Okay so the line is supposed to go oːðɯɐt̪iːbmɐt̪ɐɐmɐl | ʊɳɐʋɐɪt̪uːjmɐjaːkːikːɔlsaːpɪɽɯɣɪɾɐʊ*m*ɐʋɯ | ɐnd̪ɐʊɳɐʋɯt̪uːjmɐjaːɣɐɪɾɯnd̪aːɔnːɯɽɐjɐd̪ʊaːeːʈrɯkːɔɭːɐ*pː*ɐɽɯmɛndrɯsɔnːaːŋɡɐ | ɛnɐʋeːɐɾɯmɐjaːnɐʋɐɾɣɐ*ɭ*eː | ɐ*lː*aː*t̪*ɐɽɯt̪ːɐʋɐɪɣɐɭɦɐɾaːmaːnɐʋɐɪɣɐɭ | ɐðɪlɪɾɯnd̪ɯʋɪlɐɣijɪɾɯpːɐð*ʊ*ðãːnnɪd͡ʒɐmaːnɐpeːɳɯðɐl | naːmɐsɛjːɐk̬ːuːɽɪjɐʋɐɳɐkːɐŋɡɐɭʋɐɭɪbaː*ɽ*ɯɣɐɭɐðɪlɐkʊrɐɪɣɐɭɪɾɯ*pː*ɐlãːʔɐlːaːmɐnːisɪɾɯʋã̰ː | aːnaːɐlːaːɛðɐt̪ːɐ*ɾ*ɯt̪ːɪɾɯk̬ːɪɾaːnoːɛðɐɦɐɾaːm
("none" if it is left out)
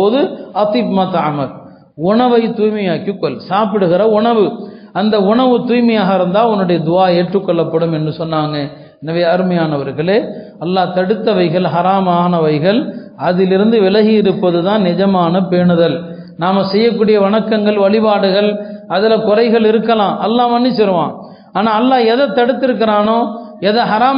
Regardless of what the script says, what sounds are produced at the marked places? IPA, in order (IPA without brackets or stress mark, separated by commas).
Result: ɳ, pː, ɭ, lː, t̪, ɯ, ɽ, kː, ɽ